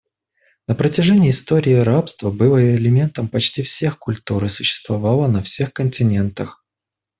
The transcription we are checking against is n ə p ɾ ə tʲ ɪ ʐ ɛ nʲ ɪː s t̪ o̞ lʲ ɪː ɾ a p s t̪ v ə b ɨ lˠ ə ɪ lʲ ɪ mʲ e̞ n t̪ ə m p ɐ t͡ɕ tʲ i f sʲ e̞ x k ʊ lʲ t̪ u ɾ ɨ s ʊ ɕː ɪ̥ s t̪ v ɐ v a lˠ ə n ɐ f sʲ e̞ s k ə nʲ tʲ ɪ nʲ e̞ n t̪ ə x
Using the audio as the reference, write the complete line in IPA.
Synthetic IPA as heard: n ə p ɾ ə tʲ ɪ ʐ ɛ nʲ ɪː s t̪ o̞ ɾʲ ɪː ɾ a p s t̪ v ə b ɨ lˠ ə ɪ lʲ ɪ mʲ e̞ n t̪ ə m p ɐ t͡ɕ tʲ i f sʲ e̞ x k ʊ lʲ t̪ u ɾ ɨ s ʊ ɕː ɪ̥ s t̪ v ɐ v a lˠ ə n ɐ f sʲ e̞ x k ə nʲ tʲ ɪ nʲ e̞ n t̪ ə x

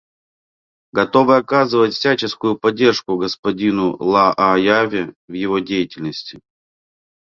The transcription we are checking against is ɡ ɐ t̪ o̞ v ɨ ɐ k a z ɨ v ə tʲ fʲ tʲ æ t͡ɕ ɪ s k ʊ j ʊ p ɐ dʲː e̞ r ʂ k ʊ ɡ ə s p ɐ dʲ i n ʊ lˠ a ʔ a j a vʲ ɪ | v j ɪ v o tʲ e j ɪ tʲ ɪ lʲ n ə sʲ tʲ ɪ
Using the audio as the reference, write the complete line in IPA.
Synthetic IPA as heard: ɡ ɐ t̪ o̞ v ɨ ɐ k a z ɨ v ə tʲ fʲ sʲ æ t͡ɕ ɪ s k ʊ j ʊ p ɐ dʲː e̞ r ʂ k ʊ ɡ ə s p ɐ dʲ i n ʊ lˠ a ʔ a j a vʲ ɪ | v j ɪ v o dʲ e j ɪ tʲ ɪ lʲ n ə sʲ tʲ ɪ

